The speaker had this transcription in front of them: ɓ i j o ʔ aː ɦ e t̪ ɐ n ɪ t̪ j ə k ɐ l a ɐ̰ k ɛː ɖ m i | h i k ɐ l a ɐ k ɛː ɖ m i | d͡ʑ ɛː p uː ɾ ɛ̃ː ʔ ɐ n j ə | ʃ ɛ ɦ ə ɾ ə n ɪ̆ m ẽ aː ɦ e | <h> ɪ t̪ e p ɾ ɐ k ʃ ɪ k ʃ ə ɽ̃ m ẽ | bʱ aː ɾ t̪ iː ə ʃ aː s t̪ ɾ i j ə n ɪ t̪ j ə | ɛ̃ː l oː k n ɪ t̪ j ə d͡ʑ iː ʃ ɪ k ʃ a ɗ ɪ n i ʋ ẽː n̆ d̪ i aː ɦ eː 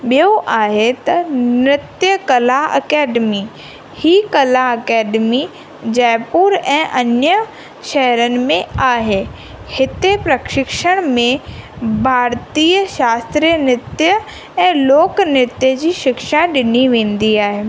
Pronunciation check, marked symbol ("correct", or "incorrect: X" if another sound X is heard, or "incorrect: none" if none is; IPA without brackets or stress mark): correct